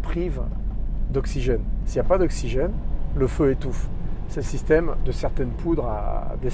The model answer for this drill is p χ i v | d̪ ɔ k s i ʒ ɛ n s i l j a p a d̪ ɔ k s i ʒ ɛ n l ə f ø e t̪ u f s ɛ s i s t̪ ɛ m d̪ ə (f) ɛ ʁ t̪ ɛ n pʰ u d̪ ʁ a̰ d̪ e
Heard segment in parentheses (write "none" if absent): s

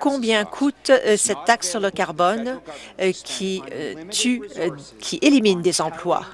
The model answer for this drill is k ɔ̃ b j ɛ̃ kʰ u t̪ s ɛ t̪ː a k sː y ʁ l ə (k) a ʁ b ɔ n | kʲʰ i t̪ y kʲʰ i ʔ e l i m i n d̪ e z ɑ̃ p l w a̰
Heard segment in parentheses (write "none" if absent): k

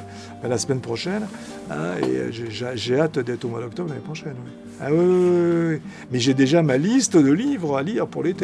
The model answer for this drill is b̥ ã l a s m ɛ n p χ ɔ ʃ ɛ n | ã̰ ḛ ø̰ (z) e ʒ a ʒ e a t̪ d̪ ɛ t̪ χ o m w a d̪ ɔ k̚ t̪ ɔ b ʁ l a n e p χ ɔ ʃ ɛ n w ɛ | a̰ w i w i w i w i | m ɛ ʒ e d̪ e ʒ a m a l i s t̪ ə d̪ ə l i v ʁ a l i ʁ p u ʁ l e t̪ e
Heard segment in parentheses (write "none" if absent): ʒ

